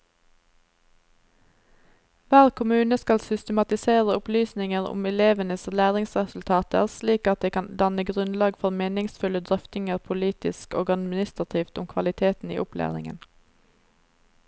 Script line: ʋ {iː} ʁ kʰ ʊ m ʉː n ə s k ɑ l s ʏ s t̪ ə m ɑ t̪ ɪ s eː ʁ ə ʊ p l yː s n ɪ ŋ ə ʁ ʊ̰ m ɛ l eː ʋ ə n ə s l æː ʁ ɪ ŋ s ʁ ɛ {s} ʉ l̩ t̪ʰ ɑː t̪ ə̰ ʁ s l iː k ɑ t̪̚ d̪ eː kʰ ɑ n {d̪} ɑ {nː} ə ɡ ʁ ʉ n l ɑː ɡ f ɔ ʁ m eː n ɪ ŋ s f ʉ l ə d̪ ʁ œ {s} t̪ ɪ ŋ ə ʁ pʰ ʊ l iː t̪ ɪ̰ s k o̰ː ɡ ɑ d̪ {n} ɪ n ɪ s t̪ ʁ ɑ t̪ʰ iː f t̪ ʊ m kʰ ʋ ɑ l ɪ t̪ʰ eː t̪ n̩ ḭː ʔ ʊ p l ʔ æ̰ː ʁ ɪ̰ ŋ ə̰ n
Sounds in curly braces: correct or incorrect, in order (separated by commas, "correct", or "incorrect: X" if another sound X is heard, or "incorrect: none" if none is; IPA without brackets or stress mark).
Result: incorrect: æː, correct, correct, incorrect: n, incorrect: f, incorrect: m